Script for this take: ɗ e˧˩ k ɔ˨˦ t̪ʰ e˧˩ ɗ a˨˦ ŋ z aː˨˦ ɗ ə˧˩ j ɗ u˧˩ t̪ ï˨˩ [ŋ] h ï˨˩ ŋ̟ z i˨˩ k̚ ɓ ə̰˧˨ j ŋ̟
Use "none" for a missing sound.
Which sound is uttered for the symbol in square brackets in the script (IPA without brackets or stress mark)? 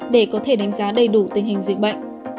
ŋ